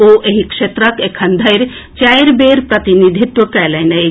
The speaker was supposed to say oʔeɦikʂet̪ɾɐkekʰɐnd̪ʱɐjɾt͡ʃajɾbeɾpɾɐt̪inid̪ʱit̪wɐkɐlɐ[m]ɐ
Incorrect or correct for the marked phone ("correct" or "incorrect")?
incorrect